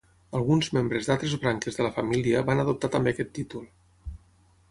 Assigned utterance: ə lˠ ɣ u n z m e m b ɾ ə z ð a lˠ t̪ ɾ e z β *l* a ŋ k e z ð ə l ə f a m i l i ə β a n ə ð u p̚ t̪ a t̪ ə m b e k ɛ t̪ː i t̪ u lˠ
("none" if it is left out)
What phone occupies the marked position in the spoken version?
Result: ɾ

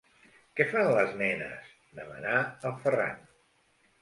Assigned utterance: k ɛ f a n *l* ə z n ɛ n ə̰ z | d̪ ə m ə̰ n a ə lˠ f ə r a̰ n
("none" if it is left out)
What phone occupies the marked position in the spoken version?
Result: l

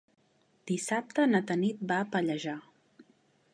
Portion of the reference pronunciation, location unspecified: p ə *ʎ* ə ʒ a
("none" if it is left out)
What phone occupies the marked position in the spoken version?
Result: ʎ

